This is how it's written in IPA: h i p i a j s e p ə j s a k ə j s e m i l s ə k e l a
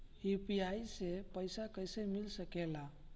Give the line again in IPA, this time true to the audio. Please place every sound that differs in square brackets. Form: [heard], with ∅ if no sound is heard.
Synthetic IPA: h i p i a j s e p ə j s a k ə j s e m i l s ə k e l a

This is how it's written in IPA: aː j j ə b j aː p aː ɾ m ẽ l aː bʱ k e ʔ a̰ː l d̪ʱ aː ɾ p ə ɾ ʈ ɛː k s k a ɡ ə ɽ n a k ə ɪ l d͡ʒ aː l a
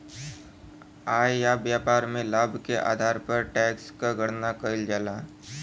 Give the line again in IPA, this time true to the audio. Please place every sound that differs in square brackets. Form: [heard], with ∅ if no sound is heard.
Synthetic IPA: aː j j [a] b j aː p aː ɾ m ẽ l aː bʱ k e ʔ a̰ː [∅] d̪ʱ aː ɾ p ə ɾ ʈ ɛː k s k a ɡ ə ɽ n a k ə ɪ l d͡ʒ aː l a

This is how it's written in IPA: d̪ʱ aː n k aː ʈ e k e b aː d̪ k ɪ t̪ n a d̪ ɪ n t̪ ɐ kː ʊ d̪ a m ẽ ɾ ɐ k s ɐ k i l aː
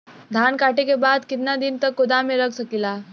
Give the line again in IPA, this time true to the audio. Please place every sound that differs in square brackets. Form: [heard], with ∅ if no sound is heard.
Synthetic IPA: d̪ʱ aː n k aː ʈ e k e b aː d̪ k ɪ t̪ n a d̪ ɪ n t̪ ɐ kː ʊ d̪ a m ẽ ɾ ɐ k s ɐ k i l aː

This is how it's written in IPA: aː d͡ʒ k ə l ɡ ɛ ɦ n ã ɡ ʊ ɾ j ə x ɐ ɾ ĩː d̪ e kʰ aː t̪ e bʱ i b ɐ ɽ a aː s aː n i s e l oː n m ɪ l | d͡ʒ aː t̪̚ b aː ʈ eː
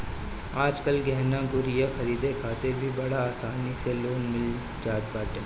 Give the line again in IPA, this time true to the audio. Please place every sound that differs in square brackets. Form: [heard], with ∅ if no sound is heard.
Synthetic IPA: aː d͡ʒ k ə l ɡ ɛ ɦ n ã ɡ ʊ ɾ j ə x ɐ ɾ [iː] d̪ e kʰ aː t̪ e bʱ i b ɐ ɽ a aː s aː n i s e l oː n m ɪ l | d͡ʒ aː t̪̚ b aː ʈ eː

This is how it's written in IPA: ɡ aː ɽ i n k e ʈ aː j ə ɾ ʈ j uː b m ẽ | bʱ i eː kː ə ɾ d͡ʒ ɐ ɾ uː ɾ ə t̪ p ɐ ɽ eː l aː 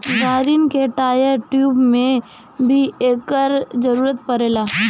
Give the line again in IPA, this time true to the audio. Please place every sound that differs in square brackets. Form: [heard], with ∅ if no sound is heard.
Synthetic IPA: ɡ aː [ɾ] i n k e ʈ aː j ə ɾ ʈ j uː b m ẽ | bʱ i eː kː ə ɾ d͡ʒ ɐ ɾ uː ɾ ə t̪ p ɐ [ɾ] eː l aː

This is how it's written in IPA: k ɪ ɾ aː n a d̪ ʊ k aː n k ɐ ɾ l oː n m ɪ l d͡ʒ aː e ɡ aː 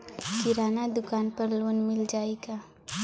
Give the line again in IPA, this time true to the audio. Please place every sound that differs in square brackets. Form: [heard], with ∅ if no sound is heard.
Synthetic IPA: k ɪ ɾ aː n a d̪ ʊ k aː n [p] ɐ ɾ l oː n m ɪ l d͡ʒ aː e ɡ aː

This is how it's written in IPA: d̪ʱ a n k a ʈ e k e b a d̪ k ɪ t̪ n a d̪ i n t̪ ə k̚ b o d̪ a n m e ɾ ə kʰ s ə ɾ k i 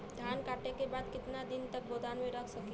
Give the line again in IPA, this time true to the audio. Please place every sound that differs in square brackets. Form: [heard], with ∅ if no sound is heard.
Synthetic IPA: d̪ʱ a n k a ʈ e k e b a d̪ k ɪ t̪ n a d̪ i n t̪ ə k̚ b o d̪ a n m e ɾ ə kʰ s ə [∅] k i

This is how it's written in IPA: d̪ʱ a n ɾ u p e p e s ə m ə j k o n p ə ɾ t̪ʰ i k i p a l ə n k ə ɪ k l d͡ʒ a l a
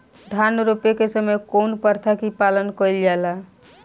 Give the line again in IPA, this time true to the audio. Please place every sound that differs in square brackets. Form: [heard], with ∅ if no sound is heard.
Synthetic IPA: d̪ʱ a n ɾ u p e [k] e s ə m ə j k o n p ə ɾ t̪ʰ [a] k i p a l ə n k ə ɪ [∅] l d͡ʒ a l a

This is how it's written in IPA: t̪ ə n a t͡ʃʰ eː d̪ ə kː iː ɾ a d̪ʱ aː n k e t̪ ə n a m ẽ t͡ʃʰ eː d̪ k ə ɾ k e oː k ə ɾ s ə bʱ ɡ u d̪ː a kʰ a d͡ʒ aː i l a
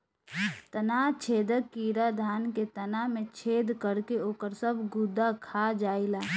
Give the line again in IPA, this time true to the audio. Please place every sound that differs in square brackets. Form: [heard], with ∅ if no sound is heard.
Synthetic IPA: t̪ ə n a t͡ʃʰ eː d̪ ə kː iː ɾ a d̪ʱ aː n k e t̪ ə n a m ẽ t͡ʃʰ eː d̪ k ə ɾ k e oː k ə ɾ s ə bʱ ɡ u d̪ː a kʰ a d͡ʒ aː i l a

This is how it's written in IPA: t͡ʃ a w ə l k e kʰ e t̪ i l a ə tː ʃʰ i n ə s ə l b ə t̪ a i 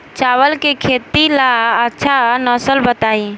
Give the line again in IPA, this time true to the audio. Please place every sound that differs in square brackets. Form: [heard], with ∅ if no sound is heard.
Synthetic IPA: t͡ʃ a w ə l k e kʰ e t̪ i l a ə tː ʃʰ [a] n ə s ə l b ə t̪ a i

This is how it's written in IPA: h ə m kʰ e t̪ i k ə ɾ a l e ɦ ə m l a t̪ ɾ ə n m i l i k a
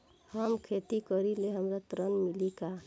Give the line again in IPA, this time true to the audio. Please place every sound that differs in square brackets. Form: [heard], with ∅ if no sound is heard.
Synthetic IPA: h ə m kʰ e t̪ i k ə ɾ [i] l e ɦ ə m [ɾ] a t̪ ɾ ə n m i l i k a

